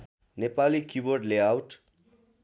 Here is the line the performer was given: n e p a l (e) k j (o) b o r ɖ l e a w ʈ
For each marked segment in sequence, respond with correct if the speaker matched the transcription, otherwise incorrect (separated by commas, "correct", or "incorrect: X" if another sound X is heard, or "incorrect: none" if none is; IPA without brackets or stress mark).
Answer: incorrect: i, incorrect: u